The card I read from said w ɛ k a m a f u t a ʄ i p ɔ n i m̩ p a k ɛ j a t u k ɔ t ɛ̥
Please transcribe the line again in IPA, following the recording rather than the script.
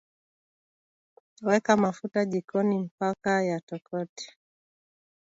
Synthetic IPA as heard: w ɛ k a m a f u t a ʄ i k ɔ n i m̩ p a k a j a t ɔ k ɔ t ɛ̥